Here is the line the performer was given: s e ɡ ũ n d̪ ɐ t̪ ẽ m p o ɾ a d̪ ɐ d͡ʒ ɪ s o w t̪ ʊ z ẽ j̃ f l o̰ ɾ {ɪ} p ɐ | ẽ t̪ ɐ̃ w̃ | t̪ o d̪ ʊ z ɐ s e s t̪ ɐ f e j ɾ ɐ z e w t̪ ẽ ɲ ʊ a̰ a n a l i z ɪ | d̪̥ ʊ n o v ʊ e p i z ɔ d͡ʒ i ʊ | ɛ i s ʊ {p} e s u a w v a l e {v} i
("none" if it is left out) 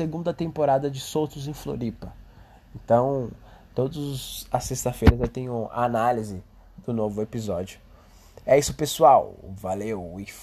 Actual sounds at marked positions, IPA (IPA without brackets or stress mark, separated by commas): i, p, w